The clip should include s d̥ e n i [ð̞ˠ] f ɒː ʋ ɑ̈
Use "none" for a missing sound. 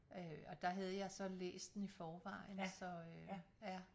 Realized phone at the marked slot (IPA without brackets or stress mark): none